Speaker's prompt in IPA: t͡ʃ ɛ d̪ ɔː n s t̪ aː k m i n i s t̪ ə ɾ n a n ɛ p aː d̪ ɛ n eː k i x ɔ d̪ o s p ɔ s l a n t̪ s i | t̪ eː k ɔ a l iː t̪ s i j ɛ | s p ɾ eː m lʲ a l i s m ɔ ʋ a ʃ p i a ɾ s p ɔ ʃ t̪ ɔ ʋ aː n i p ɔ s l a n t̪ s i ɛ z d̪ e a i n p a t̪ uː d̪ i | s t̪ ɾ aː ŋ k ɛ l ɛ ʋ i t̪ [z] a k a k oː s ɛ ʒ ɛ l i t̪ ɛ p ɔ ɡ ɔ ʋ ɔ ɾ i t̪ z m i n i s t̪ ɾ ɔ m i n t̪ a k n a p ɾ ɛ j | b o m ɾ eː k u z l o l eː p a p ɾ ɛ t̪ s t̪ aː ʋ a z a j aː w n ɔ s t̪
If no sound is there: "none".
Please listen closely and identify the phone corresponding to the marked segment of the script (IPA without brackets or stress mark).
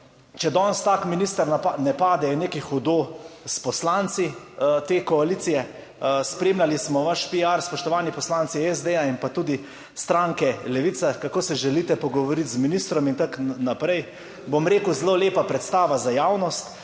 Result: s